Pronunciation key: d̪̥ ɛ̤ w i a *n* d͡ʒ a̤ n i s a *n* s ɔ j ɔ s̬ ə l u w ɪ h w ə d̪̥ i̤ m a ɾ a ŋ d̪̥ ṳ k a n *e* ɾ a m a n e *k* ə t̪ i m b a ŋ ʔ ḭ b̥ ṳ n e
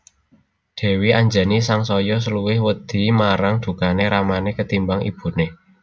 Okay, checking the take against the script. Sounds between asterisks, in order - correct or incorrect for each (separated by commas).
incorrect, incorrect, correct, correct